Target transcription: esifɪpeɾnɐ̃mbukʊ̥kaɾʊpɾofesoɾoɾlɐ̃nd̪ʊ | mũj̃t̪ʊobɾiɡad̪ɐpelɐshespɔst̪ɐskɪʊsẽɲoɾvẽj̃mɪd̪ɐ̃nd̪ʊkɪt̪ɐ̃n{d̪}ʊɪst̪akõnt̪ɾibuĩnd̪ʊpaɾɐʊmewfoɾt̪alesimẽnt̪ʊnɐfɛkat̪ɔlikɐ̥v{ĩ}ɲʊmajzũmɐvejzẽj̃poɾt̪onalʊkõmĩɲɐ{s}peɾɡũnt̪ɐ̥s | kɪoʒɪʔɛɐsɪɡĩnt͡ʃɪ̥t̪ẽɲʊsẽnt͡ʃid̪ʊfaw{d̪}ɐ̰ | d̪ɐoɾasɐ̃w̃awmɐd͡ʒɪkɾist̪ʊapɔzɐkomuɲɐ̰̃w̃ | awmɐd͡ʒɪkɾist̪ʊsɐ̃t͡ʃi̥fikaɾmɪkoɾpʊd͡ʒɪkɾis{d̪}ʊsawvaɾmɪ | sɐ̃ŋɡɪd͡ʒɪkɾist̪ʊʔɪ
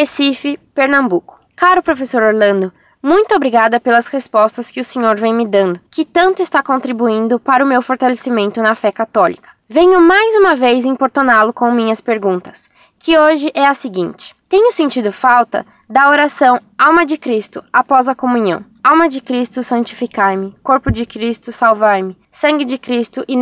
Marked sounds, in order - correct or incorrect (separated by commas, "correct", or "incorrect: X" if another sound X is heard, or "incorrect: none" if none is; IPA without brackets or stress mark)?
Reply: incorrect: t̪, incorrect: ẽ, correct, incorrect: t̪, incorrect: t̪